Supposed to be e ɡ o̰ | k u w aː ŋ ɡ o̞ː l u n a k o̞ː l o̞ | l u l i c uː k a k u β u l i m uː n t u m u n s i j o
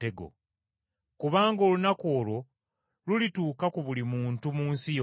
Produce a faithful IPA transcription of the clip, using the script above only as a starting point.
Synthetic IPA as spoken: e ɡ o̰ | k u β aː ŋ ɡ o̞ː l u n a k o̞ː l o̞ | l u l i t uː k a k u β u l i m uː n t u m uː n s i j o

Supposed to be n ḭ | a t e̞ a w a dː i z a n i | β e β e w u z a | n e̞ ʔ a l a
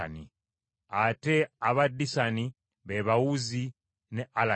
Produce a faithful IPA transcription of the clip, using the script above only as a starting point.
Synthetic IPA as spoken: n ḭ | a t e̞ a β a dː i s a n i | β e β a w u z i | n e̞ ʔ a l a

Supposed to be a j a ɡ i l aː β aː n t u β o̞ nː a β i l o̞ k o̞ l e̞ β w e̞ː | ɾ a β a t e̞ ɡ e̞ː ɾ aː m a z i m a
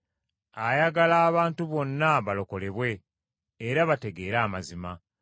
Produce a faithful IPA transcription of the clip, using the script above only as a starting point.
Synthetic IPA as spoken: a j a ɡ a l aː β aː n t u β o̞ nː a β a l o̞ k o̞ l e̞ β w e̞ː | ɾ a β a t e̞ ɡ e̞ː ɾ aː m a z i m a

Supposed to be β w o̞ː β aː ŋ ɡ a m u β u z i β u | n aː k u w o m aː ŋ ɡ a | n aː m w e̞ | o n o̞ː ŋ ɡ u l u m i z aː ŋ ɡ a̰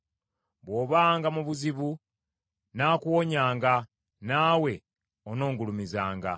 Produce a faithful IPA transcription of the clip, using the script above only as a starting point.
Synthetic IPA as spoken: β w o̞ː β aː ŋ ɡ a m u β u z i β u | n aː k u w o ɲ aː ŋ ɡ a | n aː w e̞ | o n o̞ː ŋ ɡ u l u m i z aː ŋ ɡ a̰

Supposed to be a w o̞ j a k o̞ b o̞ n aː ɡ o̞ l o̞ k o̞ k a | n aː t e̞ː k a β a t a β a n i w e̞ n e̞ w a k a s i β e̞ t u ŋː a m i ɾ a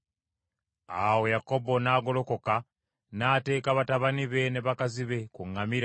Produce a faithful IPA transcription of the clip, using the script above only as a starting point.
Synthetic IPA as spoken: a w o̞ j a k o̞ b o̞ n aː ɡ o̞ l o̞ k o̞ k a | n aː t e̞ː k a β a t a β a n i β e̞ n e̞ β a k a z i β e̞ k u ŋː a m i ɾ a

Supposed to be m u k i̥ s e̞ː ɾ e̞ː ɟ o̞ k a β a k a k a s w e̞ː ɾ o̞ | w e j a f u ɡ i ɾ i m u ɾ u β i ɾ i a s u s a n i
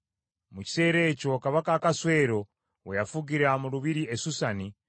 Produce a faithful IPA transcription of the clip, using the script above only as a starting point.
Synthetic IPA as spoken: m u c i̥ s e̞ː ɾ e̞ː c o̞ k a β a k a k a s w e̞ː ɾ o̞ | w e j a f u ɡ i ɾ a m u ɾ u β i ɾ i e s u s a n i

